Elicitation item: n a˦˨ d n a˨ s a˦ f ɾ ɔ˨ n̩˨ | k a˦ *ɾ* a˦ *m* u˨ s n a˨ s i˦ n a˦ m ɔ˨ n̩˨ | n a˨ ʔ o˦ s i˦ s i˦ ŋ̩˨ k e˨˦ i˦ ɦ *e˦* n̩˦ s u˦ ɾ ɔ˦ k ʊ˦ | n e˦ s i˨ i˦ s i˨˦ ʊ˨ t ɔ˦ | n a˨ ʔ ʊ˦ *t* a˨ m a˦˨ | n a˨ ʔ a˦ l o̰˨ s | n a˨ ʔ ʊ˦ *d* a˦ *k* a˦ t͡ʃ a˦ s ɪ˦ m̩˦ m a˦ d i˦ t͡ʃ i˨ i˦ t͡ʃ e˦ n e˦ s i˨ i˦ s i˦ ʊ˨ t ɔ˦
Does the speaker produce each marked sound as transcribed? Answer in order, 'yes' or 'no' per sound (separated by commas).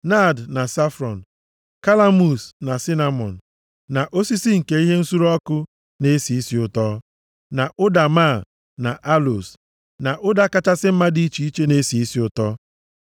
no, yes, yes, no, yes, yes